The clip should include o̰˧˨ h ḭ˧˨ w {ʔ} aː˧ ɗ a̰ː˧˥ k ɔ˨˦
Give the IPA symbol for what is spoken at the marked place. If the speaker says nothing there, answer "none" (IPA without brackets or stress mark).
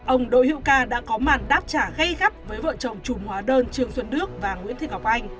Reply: k